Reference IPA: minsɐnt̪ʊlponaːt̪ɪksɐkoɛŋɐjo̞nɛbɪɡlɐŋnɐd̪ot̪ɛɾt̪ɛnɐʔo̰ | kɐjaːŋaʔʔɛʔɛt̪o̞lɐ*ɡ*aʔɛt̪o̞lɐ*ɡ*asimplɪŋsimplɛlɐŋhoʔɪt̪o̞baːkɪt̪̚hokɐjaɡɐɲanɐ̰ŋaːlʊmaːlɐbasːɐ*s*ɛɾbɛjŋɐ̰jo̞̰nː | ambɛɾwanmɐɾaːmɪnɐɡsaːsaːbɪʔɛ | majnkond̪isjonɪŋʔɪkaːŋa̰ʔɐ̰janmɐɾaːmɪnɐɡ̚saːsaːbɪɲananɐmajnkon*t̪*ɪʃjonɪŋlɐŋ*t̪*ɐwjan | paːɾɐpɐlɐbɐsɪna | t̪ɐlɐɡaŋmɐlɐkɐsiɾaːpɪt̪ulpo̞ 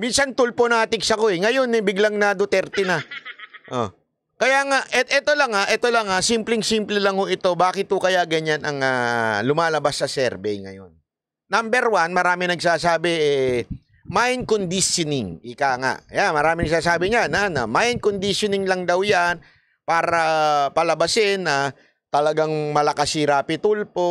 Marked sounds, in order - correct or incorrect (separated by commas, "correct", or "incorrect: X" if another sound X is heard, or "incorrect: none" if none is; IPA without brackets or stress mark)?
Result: incorrect: ŋ, incorrect: ŋ, correct, incorrect: d̪, incorrect: d̪